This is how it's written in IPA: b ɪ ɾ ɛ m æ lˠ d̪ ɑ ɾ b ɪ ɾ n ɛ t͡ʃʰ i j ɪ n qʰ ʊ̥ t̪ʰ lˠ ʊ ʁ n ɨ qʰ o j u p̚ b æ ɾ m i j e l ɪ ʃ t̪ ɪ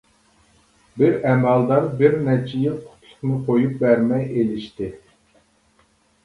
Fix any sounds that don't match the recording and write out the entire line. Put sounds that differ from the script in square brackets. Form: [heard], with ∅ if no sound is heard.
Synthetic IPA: b ɪ ɾ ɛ m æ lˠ d̪ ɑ ɾ b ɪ ɾ n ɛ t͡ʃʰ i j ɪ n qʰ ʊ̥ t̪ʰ lˠ ʊ [χ] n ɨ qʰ o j u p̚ b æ ɾ m [ɛ] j e l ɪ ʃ t̪ ɪ